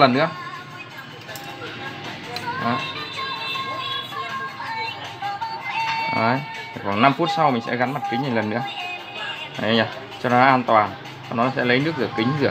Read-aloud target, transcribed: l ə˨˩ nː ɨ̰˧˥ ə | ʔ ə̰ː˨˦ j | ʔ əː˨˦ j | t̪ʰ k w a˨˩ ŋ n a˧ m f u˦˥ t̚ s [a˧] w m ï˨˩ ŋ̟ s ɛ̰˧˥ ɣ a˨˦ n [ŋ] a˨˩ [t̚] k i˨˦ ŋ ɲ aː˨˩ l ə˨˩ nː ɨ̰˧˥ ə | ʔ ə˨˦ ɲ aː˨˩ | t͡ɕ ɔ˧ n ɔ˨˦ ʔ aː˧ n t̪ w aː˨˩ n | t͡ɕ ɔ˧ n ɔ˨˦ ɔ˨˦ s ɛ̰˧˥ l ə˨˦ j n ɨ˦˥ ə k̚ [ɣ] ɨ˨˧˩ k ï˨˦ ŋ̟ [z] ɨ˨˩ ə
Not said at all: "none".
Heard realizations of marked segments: a˧, m, t̚, z, z

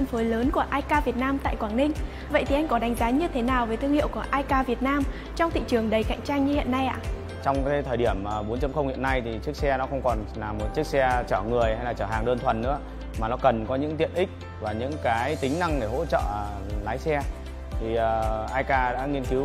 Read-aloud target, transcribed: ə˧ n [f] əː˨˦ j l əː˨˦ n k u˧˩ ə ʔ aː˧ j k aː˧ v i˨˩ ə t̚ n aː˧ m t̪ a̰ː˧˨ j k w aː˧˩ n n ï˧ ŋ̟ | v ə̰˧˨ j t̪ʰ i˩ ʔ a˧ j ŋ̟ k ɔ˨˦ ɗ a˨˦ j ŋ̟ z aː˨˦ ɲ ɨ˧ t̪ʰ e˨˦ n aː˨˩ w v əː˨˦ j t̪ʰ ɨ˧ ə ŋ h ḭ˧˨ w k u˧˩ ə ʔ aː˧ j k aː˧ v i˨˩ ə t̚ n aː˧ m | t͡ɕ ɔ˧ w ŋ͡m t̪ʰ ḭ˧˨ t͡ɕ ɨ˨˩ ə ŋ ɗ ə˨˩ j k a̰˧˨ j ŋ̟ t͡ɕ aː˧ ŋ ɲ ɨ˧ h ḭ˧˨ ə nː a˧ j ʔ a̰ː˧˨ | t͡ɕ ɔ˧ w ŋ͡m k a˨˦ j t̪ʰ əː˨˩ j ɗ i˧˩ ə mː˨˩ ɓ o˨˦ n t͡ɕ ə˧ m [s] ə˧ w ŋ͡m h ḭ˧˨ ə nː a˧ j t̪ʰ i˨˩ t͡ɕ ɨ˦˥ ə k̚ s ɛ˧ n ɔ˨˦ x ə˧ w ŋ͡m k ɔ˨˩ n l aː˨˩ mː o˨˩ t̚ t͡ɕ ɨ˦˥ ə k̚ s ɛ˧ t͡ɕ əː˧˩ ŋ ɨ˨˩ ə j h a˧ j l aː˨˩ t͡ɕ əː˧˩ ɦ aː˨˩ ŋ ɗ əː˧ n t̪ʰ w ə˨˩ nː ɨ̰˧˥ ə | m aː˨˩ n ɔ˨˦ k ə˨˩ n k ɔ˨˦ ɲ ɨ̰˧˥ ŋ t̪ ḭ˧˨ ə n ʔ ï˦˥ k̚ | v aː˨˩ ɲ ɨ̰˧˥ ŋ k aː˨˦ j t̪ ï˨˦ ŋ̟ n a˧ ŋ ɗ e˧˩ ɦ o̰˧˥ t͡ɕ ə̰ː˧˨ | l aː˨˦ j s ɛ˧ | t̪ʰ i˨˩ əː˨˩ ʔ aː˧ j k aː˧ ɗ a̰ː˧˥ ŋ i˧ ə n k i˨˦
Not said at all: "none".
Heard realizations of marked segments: f, x

